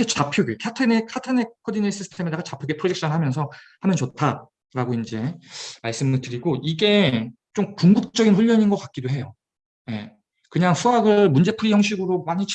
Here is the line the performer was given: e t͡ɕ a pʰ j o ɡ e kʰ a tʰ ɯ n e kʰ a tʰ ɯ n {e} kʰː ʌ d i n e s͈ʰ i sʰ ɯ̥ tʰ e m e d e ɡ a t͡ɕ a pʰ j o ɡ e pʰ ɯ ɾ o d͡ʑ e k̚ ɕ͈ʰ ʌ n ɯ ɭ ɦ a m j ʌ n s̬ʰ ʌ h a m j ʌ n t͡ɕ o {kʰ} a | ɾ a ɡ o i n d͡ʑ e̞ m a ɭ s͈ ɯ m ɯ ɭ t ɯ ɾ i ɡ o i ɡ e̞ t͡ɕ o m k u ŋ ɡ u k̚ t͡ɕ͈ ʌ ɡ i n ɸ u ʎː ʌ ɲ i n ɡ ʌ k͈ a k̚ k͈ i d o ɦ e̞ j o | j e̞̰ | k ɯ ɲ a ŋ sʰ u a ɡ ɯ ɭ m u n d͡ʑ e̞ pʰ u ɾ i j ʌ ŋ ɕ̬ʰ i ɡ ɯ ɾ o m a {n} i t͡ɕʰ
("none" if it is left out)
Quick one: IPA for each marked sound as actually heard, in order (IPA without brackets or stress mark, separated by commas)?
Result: e, tʰ, ɲ